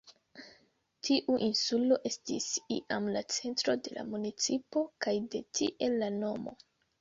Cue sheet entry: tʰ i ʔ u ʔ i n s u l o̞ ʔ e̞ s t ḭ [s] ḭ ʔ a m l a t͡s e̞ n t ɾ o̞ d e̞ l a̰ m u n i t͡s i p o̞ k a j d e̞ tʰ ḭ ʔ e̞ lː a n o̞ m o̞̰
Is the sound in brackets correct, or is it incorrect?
correct